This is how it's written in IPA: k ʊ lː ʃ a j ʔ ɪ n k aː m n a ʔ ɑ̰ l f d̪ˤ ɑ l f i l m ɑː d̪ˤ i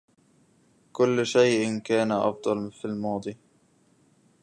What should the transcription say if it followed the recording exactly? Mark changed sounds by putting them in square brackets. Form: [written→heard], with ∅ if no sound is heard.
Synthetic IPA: k ʊ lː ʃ a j ʔ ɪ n k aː [m→∅] n a ʔ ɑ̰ [l→∅] f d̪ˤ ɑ l f i l m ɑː d̪ˤ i